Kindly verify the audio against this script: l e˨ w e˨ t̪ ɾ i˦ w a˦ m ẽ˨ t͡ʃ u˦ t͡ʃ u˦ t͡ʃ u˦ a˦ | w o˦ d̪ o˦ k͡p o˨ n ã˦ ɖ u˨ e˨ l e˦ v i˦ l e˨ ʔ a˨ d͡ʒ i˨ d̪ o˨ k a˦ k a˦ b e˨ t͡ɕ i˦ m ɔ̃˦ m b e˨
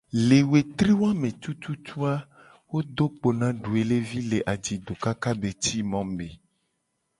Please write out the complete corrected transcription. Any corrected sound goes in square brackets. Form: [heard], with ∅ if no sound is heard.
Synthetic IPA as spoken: l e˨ w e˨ t̪ ɾ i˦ w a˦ m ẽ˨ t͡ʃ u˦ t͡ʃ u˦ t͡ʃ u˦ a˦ | w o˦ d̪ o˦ k͡p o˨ n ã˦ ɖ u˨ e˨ l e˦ v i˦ l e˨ ʔ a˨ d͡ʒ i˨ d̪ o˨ k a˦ k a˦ b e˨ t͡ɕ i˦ m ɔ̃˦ m b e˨